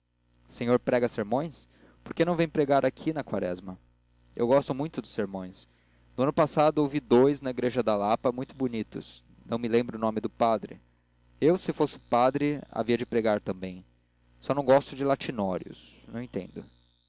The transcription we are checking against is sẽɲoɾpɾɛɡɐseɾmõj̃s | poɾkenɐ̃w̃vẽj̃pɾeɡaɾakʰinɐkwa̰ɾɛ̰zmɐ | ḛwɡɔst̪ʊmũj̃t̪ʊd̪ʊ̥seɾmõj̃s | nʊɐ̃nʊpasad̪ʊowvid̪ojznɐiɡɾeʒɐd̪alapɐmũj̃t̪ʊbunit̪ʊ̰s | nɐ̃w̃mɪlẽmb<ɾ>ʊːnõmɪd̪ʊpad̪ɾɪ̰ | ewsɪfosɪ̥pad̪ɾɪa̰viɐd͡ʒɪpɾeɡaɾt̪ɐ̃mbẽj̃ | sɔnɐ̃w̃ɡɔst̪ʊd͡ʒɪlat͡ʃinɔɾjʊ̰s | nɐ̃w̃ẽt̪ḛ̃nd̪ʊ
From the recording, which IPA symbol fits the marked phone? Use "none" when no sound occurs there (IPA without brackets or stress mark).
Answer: ɾ